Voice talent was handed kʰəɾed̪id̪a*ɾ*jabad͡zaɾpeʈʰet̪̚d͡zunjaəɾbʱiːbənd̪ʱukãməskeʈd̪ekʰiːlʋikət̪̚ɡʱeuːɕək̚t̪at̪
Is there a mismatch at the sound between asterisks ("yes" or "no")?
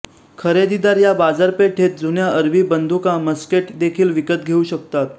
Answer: no